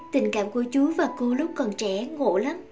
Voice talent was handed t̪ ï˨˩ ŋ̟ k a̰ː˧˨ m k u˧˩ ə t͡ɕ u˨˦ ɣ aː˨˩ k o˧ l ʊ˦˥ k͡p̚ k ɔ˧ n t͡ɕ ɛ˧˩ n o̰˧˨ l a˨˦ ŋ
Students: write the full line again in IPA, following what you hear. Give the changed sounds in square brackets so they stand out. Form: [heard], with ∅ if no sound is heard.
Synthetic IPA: t̪ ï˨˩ ŋ̟ k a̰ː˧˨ m k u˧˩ ə t͡ɕ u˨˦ [v] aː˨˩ k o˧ l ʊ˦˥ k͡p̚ k [ɔ˨˩] n t͡ɕ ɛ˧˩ [ŋ] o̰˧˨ l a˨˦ [m]